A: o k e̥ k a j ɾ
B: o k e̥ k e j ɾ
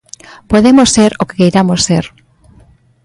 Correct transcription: B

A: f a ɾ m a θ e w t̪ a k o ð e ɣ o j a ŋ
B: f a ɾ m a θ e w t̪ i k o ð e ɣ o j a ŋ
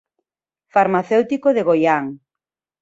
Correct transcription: B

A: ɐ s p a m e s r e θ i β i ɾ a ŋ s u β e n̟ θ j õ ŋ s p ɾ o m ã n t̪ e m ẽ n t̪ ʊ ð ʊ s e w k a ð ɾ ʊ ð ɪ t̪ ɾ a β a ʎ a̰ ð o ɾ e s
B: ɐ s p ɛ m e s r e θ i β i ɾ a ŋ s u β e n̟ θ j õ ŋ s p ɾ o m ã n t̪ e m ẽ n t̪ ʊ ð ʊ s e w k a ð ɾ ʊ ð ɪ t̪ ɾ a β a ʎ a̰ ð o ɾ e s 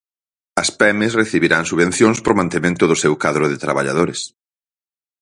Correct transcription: B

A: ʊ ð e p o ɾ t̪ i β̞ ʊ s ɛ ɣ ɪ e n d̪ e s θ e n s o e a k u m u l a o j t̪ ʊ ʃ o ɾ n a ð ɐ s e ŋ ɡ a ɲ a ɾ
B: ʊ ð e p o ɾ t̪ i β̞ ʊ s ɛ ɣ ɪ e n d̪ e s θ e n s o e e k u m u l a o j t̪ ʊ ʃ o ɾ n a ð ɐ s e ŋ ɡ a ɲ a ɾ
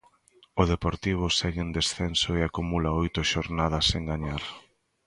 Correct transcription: A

